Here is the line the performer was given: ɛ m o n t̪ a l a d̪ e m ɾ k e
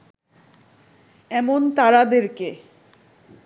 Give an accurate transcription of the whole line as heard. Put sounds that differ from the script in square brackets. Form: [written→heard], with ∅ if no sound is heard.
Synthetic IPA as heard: ɛ m o n t̪ a [l→ɾ] a d̪ e [m→∅] ɾ k e